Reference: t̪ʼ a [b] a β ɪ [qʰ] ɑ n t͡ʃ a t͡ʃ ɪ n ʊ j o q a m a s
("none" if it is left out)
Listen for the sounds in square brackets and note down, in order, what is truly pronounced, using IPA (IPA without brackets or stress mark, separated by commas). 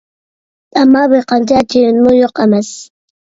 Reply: m, q